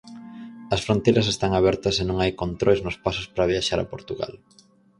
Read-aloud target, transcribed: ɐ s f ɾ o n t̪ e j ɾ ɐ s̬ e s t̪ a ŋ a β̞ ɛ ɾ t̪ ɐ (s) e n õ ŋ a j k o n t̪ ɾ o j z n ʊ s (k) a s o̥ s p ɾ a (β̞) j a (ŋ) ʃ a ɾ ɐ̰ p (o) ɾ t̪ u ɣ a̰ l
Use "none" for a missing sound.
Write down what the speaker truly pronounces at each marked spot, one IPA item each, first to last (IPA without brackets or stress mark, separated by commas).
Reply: s, p, β̞, none, o